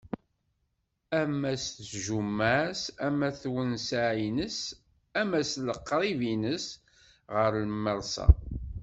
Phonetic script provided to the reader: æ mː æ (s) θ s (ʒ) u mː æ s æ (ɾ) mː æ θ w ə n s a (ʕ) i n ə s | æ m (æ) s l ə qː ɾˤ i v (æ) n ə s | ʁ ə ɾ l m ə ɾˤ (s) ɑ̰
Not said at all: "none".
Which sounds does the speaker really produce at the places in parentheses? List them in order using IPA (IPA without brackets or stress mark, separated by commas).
s, ʒ, none, ʕ, æ, i, s